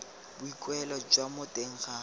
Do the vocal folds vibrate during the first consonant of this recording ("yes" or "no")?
yes